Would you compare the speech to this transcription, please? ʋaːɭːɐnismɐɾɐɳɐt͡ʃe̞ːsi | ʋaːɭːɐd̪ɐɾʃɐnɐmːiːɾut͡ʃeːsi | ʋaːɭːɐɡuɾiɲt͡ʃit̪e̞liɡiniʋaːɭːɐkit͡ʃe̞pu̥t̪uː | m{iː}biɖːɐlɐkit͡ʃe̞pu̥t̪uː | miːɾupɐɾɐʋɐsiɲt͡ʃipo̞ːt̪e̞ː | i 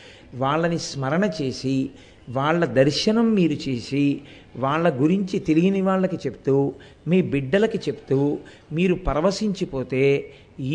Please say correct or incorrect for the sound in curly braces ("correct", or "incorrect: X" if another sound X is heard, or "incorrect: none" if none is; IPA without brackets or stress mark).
correct